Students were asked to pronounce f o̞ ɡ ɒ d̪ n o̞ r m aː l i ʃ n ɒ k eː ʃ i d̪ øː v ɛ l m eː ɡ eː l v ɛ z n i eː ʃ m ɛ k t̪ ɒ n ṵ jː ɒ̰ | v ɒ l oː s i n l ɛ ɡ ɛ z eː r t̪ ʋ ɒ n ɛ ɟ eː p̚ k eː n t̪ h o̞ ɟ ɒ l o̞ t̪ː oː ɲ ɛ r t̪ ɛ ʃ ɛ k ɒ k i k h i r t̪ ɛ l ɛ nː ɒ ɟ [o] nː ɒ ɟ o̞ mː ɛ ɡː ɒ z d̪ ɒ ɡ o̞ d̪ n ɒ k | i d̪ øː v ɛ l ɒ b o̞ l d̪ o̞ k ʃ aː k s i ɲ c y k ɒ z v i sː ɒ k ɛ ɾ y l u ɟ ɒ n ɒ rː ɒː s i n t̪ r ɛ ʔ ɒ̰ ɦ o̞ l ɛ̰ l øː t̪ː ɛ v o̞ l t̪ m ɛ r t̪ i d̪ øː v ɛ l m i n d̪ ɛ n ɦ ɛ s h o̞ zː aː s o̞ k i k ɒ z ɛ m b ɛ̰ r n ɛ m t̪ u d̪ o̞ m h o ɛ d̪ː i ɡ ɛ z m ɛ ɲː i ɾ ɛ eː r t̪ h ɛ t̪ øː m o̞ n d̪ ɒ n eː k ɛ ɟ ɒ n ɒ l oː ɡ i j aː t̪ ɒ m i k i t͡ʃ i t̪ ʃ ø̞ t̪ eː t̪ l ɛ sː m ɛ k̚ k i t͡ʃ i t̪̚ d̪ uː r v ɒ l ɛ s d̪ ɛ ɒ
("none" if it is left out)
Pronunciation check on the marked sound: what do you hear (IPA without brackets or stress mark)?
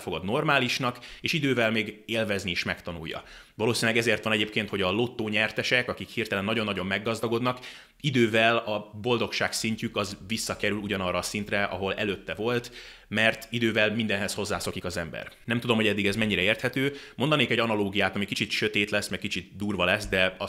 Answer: o